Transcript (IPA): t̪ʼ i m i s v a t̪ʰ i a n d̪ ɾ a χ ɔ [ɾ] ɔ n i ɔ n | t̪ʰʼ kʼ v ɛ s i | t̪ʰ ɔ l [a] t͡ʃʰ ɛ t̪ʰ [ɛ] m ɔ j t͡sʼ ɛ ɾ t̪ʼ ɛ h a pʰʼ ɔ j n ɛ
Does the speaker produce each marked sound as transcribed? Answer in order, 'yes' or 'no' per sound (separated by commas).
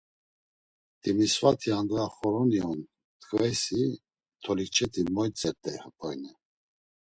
yes, no, no